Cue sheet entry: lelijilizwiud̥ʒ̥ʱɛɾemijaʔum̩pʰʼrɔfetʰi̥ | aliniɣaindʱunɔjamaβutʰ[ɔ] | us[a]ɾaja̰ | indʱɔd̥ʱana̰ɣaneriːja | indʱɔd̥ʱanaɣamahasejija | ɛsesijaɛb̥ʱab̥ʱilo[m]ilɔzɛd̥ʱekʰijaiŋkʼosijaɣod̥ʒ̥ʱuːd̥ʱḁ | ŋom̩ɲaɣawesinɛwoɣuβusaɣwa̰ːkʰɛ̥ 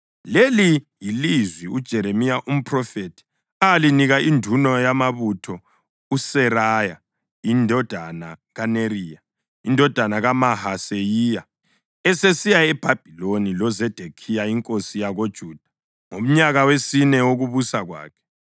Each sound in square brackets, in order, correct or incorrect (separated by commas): correct, incorrect, incorrect